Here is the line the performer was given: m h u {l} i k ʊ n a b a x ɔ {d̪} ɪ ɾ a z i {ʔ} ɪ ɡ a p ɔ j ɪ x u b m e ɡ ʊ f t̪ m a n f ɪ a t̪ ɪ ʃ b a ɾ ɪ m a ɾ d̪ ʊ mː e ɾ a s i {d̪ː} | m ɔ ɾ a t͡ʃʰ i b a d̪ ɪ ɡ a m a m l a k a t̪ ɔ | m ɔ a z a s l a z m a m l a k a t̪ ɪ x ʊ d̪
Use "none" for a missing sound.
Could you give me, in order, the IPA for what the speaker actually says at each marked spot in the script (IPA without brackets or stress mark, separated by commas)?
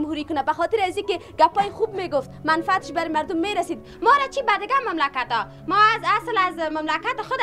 ɾ, t̪, k, d̪